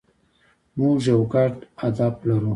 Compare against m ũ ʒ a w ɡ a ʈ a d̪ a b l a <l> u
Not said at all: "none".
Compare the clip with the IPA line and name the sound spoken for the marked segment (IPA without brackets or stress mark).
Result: ɾ